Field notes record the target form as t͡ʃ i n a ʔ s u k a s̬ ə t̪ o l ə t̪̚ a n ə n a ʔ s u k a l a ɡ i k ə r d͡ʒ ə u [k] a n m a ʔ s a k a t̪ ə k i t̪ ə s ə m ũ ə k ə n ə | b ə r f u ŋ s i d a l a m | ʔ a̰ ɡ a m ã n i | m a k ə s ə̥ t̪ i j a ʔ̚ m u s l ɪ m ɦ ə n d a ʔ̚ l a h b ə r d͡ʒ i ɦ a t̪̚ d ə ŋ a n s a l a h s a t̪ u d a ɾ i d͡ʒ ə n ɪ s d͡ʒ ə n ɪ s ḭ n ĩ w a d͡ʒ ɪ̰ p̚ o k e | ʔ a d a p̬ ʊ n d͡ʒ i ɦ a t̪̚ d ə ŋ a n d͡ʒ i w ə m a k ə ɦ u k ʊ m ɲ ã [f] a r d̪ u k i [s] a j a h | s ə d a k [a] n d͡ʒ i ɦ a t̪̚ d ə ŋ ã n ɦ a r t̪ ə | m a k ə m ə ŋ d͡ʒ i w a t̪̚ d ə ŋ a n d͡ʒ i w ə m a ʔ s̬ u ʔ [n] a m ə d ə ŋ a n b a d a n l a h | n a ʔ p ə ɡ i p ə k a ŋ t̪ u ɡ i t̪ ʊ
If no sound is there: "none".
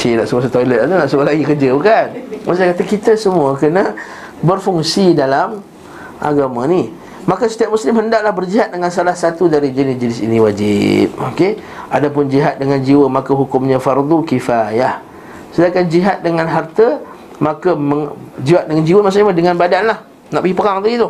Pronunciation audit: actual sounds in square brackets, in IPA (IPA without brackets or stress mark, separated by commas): k, f, f, a, ɲ